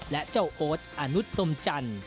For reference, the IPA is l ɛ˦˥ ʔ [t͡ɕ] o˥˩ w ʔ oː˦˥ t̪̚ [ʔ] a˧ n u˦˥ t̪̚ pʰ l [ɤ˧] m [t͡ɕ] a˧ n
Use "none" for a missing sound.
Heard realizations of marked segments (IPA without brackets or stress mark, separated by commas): t͡ɕ, ʔ, o˧, t͡ɕ